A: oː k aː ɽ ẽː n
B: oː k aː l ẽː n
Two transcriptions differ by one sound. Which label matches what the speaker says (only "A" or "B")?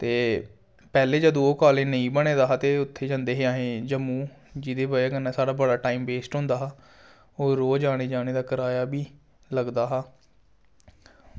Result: B